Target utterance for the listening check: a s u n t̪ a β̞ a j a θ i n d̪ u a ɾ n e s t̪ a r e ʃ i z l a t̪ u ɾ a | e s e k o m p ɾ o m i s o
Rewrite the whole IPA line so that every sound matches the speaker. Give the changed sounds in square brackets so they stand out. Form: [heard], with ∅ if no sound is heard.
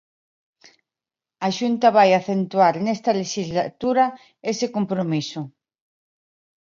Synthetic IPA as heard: a [ʃ] u n t̪ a β̞ a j a θ [e] n [t̪] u a ɾ n e s t̪ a [l] e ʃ i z l a t̪ u ɾ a | e s e k o m p ɾ o m i s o